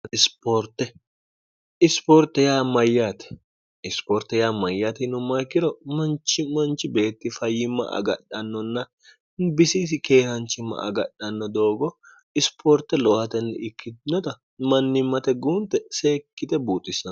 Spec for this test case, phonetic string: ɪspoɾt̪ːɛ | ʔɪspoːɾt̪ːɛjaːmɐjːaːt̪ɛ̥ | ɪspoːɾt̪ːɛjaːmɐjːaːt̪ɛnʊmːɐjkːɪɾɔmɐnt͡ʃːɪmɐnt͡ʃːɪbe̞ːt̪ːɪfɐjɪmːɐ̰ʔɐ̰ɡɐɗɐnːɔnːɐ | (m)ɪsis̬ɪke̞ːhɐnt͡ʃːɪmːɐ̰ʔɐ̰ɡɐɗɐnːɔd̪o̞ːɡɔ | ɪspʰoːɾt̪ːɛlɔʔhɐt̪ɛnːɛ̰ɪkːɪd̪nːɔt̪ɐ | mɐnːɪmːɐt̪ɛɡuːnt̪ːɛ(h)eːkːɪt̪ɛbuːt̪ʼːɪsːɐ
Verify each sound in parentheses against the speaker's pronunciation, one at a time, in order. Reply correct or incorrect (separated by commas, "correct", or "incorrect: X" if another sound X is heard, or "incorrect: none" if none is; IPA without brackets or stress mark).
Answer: incorrect: b, incorrect: s